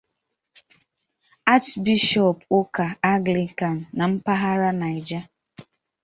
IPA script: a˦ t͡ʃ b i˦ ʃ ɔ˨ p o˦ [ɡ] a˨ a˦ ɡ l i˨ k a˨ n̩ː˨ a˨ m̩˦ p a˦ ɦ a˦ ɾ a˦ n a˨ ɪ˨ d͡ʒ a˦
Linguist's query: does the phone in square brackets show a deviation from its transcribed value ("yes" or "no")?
yes